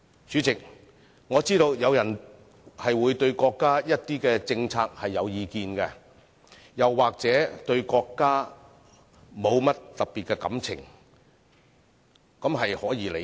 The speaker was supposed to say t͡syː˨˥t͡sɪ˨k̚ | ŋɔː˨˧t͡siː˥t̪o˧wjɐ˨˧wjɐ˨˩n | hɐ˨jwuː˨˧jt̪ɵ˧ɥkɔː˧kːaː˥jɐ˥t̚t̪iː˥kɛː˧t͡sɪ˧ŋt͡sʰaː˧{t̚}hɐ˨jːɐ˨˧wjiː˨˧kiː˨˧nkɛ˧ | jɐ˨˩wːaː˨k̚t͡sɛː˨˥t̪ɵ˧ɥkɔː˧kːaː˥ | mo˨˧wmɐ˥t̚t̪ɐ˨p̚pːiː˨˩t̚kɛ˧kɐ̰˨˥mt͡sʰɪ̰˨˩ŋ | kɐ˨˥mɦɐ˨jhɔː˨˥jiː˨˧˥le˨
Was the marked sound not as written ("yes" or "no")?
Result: yes